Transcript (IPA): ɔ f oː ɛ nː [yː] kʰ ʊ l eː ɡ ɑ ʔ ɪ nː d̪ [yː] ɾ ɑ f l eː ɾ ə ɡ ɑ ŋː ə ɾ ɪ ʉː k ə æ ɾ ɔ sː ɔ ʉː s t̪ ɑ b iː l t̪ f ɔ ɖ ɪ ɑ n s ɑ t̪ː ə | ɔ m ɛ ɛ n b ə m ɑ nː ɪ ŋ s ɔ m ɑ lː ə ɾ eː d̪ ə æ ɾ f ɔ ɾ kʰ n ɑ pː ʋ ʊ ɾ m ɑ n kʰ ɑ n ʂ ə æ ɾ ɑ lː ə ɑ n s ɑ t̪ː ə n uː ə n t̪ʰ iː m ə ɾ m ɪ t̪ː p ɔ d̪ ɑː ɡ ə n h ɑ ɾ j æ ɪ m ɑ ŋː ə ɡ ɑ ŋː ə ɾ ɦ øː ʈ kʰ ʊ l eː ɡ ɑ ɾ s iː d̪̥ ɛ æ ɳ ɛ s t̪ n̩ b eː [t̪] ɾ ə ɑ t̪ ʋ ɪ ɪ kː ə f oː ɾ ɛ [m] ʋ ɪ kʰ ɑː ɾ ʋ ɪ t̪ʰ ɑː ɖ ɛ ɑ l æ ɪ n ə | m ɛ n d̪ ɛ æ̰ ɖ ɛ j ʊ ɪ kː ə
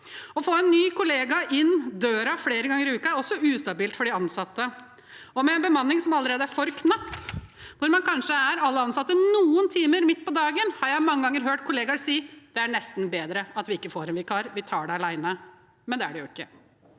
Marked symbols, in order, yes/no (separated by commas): yes, no, no, no